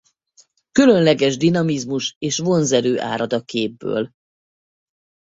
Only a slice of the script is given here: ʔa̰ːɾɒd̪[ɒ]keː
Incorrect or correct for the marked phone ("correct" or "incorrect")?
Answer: correct